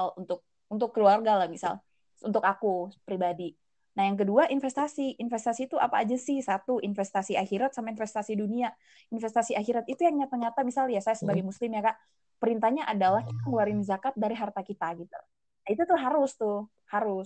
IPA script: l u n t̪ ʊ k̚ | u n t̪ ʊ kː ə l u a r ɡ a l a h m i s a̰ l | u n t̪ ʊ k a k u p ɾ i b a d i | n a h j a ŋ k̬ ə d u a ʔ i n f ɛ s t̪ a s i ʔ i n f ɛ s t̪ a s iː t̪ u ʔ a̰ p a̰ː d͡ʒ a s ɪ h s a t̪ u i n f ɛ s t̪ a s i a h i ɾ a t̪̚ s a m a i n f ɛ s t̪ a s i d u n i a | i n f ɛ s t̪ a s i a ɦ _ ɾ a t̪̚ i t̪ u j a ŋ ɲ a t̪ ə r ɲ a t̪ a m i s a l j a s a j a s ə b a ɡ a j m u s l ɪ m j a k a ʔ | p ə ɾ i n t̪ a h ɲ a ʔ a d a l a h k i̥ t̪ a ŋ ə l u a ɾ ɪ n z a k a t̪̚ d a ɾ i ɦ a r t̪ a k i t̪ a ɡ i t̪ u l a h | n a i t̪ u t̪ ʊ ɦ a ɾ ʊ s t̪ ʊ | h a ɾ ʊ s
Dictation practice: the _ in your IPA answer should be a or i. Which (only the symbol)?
i